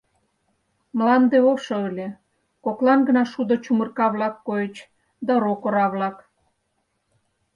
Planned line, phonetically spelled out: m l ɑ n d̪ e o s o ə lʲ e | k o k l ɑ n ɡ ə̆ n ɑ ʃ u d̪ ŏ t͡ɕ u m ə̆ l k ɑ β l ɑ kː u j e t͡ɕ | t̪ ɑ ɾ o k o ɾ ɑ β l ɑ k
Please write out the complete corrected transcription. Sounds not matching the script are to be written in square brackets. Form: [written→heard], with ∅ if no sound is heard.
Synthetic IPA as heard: m l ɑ n d̪ e o [s→ʃ] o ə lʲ e | k o k l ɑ n ɡ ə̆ n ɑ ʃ u d̪ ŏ t͡ɕ u m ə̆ [l→r] k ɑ β l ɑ kː [u→o] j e t͡ɕ | [t̪→d̪] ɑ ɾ o k o ɾ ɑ β l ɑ k